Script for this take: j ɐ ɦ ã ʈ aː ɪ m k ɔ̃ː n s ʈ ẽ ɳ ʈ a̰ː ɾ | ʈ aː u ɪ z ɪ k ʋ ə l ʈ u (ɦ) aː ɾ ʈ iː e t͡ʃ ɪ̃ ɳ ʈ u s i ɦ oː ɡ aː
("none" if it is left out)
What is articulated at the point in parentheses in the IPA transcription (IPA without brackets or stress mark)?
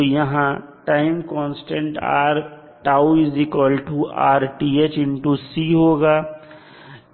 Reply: none